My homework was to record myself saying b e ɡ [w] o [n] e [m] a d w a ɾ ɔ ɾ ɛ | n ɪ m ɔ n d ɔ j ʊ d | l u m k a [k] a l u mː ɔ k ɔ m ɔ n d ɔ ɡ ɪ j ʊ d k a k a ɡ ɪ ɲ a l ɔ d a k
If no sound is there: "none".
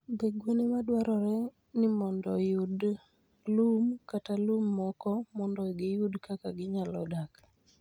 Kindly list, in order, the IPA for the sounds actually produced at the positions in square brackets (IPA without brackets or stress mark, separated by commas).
w, n, m, t